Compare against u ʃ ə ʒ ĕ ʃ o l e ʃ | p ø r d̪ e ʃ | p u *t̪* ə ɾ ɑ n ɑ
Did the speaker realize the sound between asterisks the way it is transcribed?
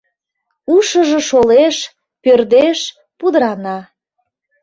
no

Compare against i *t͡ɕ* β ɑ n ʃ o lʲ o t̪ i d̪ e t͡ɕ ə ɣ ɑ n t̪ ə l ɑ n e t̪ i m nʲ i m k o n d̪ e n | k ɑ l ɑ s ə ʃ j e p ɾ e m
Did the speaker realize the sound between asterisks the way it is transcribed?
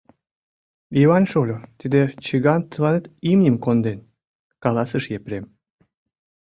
no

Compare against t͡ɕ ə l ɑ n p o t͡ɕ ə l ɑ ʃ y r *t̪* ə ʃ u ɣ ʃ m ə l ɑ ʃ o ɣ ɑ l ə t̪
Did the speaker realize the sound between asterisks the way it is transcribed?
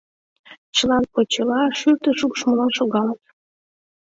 yes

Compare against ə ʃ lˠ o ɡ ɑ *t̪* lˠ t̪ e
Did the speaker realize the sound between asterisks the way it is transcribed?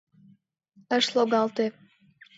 no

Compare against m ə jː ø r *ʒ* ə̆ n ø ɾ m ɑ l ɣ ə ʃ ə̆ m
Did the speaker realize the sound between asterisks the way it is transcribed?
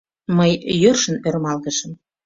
no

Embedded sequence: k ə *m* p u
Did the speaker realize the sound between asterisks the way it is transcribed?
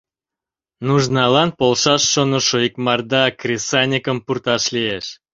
yes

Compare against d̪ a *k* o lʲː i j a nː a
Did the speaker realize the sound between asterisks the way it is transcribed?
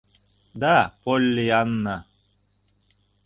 no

